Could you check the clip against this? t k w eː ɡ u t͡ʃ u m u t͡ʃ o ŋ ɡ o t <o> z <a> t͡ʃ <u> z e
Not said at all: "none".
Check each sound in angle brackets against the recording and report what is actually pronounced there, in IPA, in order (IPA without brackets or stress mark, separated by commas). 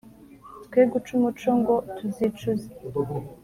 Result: u, i, u